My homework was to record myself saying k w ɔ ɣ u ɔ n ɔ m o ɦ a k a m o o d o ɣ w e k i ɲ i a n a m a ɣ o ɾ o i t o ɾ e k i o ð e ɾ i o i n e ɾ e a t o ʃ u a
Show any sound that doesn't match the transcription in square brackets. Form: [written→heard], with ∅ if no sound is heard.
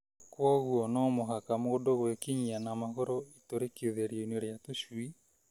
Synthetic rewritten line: k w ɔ ɣ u ɔ n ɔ m o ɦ a k a m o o d o ɣ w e k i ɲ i a n a m a ɣ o ɾ o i t o ɾ e k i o ð e ɾ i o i n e ɾ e a t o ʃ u [a→i]